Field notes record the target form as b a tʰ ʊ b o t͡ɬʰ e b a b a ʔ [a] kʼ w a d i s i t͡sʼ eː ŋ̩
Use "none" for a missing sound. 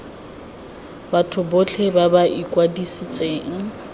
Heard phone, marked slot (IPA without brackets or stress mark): i